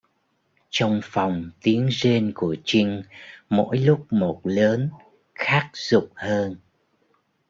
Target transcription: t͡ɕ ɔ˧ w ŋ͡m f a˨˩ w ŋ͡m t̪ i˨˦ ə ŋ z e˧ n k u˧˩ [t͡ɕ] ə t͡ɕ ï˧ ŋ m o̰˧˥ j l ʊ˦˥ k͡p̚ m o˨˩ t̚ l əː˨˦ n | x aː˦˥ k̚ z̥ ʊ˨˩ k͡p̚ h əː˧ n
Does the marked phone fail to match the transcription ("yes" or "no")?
yes